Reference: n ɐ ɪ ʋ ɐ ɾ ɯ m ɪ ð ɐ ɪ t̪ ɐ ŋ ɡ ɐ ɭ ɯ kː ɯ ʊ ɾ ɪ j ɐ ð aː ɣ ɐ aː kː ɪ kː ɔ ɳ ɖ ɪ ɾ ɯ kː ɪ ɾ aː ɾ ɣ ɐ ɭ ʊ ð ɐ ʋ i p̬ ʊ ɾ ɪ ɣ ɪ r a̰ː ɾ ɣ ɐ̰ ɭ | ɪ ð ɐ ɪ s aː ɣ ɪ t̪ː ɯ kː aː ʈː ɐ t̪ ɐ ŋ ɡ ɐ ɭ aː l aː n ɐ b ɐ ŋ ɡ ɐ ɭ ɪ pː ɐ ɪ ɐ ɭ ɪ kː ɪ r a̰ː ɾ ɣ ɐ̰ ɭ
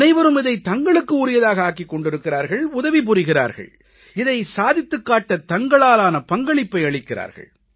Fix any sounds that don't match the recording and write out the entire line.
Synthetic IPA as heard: n ɐ ɪ ʋ ɐ ɾ ɯ m ɪ ð ɐ ɪ t̪ ɐ ŋ ɡ ɐ ɭ ɯ kː ɯ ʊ ɾ ɪ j ɐ ð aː ɣ ɐ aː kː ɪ kː ɔ ɳ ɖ ɪ ɾ ɯ kː ɪ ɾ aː ɾ ɣ ɐ ɭ ʊ ð ɐ ʋ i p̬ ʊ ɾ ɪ ɣ ɪ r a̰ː ɾ ɣ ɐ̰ ɭ | ɪ ð ɐ ɪ s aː ð ɪ t̪ː ɯ kː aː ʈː ɐ t̪ ɐ ŋ ɡ ɐ ɭ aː l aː n ɐ p ɐ ŋ ɡ ɐ ɭ ɪ pː ɐ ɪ ɐ ɭ ɪ kː ɪ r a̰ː ɾ ɣ ɐ̰ ɭ

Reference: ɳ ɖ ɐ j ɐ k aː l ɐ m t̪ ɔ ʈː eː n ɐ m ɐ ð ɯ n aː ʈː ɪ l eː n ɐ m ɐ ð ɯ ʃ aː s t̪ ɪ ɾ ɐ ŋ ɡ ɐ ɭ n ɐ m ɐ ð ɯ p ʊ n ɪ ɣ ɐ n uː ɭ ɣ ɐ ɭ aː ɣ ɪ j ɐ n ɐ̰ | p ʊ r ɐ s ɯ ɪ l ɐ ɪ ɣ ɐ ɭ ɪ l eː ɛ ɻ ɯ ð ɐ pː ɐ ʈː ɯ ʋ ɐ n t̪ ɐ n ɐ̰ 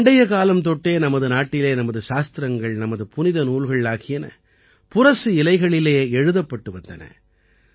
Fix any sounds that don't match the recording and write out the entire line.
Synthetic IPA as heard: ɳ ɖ ɐ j ɐ k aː l ɐ m t̪ ɔ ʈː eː n ɐ m ɐ ð ɯ n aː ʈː ɪ l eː n ɐ m ɐ ð ɯ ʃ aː s t̪ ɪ ɾ ɐ ŋ ɡ ɐ ɭ n ɐ m ɐ ð ɯ p ʊ n ɪ ð ɐ n uː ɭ ɣ ɐ ɭ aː ɣ ɪ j ɐ n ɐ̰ | p ʊ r ɐ s ɯ ɪ l ɐ ɪ ɣ ɐ ɭ ɪ l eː ɛ ɻ ɯ ð ɐ pː ɐ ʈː ɯ ʋ ɐ n d̪ ɐ n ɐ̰

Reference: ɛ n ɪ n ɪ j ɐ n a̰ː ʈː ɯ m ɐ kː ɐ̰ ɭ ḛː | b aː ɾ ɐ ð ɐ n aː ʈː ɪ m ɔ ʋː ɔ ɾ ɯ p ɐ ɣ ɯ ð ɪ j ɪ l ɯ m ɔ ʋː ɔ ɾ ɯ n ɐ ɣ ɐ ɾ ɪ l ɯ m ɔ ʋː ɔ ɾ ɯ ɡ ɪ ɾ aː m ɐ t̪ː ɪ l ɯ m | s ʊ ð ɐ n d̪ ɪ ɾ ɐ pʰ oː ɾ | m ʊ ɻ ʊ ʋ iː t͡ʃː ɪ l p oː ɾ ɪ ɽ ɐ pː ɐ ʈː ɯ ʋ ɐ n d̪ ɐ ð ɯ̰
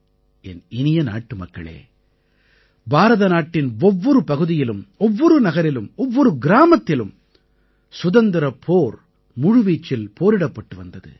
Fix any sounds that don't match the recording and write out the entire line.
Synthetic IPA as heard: ɛ n ɪ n ɪ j ɐ n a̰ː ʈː ɯ m ɐ kː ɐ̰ ɭ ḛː | b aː ɾ ɐ ð ɐ n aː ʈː ɪ n ɔ ʋː ɔ ɾ ɯ p ɐ ɣ ɯ ð ɪ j ɪ l ɯ m ɔ ʋː ɔ ɾ ɯ n ɐ ɣ ɐ ɾ ɪ l ɯ m ɔ ʋː ɔ ɾ ɯ ɡ ɪ ɾ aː m ɐ t̪ː ɪ l ɯ m | s ʊ ð ɐ n d̪ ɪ ɾ ɐ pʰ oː ɾ | m ʊ ɻ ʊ ʋ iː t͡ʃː ɪ l p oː ɾ ɪ ɽ ɐ pː ɐ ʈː ɯ ʋ ɐ n d̪ ɐ ð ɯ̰

